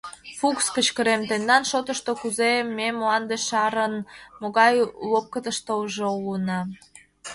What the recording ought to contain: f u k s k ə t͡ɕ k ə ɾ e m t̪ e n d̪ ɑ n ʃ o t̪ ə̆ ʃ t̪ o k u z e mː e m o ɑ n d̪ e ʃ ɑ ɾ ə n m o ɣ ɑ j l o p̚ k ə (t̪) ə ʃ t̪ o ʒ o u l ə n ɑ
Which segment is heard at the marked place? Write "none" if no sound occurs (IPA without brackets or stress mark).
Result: t̪